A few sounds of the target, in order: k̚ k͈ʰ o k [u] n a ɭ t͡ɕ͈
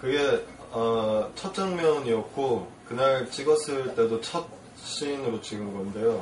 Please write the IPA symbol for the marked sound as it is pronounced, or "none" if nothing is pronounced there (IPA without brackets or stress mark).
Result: ɯ